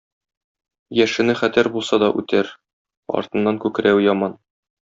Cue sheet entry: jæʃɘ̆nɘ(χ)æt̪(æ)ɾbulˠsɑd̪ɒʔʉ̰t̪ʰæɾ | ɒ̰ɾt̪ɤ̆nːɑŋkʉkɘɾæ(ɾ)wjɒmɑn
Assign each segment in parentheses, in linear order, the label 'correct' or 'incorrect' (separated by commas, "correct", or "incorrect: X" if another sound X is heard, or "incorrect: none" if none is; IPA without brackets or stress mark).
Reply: correct, correct, incorrect: none